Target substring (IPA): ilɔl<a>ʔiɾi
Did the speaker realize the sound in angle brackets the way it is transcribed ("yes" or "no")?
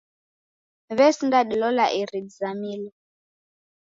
yes